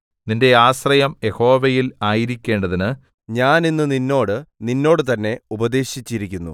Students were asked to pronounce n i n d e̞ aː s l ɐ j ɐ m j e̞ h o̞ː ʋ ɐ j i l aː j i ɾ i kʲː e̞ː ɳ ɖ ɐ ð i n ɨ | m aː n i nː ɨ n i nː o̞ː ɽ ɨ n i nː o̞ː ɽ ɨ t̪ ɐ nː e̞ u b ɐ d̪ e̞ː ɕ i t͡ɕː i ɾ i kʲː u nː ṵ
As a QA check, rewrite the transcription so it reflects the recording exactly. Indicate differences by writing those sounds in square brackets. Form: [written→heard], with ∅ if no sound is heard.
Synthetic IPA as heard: n i n d e̞ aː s [l→r] ɐ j ɐ m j e̞ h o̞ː ʋ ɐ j i l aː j i ɾ i kʲː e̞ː ɳ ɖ ɐ ð i n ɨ | [m→ɲ] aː n i nː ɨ n i nː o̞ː ɽ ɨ n i nː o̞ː ɽ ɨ t̪ ɐ nː e̞ u b ɐ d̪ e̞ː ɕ i t͡ɕː i ɾ i kʲː u nː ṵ